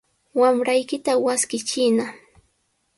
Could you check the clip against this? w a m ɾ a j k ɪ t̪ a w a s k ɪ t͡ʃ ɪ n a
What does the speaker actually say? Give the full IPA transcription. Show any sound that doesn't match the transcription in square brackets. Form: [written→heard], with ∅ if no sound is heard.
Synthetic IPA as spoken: w a m ɾ a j k ɪ t̪ a w a s k ɪ t͡ʃ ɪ n a